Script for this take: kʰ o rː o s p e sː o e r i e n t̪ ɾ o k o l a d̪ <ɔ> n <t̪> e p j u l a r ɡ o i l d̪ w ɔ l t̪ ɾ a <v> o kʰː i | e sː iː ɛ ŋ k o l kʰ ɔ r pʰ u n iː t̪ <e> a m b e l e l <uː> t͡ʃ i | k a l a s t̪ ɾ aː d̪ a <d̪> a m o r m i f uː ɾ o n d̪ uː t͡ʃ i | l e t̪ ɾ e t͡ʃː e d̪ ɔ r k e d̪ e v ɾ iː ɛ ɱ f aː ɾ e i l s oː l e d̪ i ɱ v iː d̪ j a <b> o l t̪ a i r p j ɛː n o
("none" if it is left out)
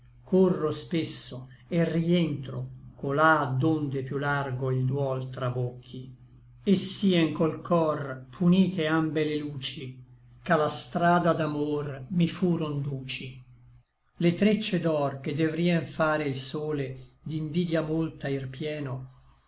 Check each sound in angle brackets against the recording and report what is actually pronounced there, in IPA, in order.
o, d̪, b, e, uː, d̪, m

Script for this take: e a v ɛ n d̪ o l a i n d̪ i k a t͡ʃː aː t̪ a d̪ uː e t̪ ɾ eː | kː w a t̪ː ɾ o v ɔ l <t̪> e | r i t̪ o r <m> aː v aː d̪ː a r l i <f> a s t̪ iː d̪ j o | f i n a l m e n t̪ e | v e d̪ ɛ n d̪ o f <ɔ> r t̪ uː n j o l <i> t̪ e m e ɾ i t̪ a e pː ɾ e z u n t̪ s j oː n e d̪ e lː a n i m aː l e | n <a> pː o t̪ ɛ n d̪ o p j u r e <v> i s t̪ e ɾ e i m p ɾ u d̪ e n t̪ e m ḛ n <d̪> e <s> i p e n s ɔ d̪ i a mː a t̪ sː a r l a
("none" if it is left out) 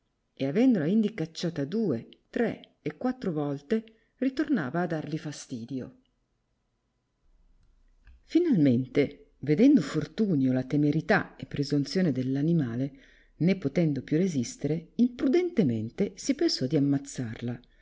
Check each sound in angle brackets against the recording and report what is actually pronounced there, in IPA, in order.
t̪, n, f, o, a, e, z, t̪, s

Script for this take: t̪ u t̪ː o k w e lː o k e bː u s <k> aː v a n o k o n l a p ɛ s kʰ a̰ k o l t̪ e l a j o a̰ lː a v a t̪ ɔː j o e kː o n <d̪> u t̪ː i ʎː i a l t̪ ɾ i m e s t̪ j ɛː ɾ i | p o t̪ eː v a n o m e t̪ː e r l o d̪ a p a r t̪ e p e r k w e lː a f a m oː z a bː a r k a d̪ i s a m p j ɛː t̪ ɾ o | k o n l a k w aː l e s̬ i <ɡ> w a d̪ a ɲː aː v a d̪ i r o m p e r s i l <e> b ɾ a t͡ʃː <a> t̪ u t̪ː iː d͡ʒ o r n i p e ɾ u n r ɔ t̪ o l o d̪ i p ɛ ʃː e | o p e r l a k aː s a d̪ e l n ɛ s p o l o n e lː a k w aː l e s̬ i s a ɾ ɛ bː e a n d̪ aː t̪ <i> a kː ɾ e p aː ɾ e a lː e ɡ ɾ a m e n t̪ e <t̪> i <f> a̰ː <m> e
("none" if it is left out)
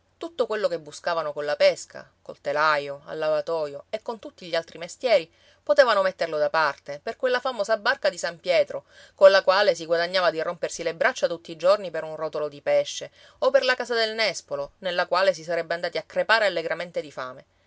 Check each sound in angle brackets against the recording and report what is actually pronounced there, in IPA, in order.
k, t̪, ɡ, e, a, i, d̪, f, m

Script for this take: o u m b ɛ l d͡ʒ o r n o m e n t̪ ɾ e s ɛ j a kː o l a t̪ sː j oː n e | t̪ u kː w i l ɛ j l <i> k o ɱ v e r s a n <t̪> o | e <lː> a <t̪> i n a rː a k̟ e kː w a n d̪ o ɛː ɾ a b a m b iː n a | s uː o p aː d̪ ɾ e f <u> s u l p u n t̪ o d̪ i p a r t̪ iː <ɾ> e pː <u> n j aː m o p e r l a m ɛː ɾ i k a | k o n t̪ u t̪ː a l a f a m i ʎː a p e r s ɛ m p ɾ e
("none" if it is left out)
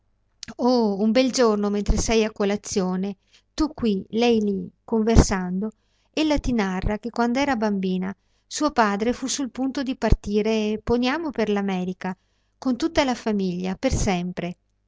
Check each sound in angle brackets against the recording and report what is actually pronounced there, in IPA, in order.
i, d̪, lː, t̪, u, ɾ, o

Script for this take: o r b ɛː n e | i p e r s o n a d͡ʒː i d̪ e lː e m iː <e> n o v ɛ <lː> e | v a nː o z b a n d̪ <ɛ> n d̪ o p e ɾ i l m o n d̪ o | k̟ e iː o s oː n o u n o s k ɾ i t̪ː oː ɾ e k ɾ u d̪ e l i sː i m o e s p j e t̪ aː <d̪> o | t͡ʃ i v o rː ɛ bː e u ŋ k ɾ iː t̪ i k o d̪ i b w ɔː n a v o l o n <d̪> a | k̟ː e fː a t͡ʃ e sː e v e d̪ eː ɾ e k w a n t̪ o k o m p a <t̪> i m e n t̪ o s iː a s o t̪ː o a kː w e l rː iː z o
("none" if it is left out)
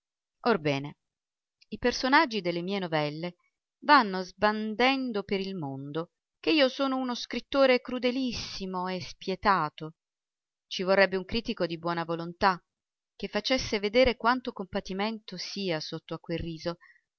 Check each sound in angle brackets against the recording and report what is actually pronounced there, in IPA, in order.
e, lː, ɛ, t̪, t̪, t̪

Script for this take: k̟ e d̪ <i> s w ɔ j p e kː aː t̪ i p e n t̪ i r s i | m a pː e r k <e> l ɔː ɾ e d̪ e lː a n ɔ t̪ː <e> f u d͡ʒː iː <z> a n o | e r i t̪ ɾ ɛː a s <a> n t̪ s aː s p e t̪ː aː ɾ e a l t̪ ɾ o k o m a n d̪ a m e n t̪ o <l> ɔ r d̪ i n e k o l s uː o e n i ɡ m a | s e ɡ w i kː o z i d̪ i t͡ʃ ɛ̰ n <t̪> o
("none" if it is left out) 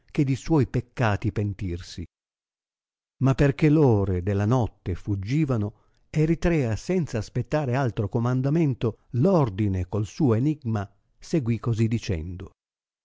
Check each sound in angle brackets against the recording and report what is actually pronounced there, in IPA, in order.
i, e, e, v, ɛ, l, d̪

